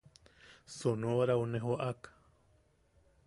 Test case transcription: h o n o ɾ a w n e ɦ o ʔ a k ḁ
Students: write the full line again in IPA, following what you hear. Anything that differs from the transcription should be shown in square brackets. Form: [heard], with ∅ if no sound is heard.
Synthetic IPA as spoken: [s] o n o ɾ a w n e ɦ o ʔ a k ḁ